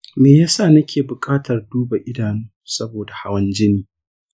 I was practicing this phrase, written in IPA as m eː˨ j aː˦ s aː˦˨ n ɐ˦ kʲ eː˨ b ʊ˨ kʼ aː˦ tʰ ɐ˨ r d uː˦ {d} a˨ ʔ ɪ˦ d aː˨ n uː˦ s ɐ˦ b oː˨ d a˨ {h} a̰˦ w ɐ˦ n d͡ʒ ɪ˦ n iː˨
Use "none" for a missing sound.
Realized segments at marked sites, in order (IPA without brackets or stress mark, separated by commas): b, h